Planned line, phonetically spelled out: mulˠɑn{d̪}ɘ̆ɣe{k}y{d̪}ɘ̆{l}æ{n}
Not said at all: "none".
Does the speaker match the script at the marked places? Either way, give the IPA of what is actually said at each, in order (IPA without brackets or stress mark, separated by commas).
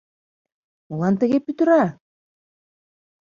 t̪, p, t̪, ɾ, none